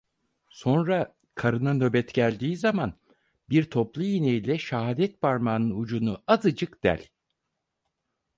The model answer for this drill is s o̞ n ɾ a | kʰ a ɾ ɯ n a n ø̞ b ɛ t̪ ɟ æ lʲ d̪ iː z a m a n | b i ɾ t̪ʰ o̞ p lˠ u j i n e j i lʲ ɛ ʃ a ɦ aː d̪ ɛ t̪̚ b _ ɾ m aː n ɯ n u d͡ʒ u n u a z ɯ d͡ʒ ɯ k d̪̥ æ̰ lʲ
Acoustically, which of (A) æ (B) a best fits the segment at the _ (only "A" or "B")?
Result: B